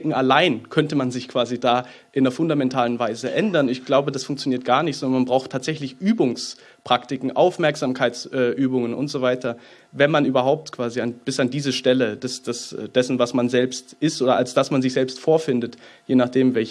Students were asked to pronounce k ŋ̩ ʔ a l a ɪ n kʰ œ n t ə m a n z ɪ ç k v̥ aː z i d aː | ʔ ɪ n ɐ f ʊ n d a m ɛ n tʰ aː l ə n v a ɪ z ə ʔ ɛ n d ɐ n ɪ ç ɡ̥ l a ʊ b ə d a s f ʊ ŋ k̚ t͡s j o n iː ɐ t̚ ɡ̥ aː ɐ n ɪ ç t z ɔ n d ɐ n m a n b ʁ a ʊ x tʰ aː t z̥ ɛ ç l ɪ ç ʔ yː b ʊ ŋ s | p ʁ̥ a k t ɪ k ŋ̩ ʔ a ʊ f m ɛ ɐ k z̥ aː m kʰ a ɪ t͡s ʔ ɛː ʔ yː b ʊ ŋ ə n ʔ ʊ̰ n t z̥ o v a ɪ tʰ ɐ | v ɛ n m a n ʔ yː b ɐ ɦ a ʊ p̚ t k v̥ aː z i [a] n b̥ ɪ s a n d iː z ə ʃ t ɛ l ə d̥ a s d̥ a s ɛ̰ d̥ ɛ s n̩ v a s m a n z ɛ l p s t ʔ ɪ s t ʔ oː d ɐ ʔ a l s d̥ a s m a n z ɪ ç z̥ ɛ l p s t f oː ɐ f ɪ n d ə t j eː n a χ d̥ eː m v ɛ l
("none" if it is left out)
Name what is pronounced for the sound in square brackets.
a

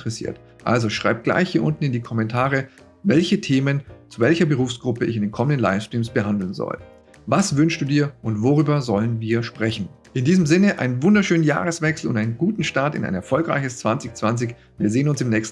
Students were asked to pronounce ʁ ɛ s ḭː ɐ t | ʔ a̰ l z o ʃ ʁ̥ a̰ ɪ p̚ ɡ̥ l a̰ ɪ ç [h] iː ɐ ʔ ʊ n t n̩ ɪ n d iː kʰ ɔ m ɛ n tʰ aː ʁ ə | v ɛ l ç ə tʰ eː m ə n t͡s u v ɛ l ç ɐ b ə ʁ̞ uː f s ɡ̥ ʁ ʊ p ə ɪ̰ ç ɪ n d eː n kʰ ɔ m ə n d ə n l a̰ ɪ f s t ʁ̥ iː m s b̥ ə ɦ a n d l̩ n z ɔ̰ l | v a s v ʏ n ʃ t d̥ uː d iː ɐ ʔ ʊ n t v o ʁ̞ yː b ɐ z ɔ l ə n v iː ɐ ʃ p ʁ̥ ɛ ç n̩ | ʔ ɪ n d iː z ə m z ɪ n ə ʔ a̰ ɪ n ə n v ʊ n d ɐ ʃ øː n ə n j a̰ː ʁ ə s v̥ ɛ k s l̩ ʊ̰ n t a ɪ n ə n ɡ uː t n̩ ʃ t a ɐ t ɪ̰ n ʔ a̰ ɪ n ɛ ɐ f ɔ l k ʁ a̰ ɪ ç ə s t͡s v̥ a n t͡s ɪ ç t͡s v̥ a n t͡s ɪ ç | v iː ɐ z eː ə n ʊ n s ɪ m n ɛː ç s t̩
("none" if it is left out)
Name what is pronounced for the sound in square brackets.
h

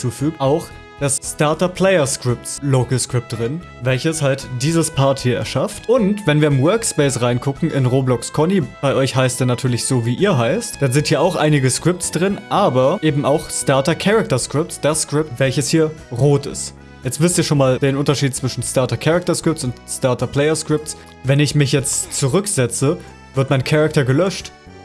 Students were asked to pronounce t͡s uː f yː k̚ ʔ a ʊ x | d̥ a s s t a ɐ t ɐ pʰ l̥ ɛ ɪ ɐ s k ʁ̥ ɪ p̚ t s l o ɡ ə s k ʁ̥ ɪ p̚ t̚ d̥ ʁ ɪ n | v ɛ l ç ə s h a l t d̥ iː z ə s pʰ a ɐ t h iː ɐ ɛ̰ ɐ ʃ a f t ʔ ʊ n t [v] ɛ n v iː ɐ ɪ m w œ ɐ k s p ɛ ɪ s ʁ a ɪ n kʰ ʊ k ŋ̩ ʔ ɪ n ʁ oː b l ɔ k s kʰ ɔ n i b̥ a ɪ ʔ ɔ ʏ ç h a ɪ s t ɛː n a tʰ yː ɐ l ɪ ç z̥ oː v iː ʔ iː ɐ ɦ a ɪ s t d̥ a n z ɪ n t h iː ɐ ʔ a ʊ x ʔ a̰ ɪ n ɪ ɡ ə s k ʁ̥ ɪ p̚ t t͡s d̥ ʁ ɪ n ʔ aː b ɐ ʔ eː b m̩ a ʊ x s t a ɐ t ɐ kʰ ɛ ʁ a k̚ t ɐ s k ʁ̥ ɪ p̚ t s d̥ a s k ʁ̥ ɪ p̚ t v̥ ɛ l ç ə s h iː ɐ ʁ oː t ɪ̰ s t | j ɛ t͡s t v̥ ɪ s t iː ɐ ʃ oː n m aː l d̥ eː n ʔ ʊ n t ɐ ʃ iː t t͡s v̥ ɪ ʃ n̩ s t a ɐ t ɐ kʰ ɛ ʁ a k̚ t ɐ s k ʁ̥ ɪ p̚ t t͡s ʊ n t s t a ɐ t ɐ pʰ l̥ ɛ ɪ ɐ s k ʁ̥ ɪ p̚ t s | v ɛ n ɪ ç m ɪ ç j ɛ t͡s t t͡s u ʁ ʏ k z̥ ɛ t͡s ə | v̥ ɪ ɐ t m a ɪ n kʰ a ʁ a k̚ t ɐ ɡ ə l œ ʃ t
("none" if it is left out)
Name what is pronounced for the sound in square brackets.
v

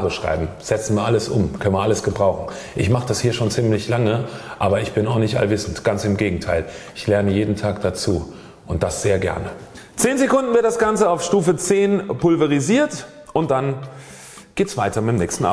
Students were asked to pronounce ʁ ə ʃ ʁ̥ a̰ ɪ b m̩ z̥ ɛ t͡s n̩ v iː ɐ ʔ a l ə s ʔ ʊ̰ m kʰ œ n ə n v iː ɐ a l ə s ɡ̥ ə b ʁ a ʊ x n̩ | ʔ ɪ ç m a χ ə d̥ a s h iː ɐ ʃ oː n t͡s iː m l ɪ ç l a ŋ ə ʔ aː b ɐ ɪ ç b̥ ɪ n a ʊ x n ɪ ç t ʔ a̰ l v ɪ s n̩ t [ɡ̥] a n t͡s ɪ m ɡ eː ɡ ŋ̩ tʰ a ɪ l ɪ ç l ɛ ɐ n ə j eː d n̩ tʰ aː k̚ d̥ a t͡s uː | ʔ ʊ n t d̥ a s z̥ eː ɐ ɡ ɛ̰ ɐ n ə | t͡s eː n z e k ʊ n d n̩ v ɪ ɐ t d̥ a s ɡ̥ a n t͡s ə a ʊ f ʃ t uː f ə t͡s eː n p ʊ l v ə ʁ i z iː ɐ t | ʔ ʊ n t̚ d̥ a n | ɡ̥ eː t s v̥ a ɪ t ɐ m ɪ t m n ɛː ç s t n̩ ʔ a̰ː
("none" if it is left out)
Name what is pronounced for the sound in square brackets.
ɡ̥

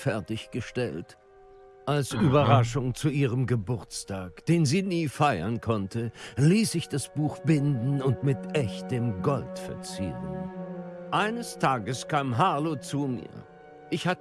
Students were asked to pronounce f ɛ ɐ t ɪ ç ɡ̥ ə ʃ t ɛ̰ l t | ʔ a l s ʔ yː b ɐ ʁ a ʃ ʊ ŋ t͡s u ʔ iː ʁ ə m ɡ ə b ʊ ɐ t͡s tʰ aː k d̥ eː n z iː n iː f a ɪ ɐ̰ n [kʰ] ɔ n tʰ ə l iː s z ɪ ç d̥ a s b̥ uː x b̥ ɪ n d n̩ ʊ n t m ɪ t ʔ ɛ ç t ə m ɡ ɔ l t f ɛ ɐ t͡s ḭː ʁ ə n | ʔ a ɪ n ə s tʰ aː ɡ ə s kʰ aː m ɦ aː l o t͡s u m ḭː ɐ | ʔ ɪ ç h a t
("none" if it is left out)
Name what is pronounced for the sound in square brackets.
kʰ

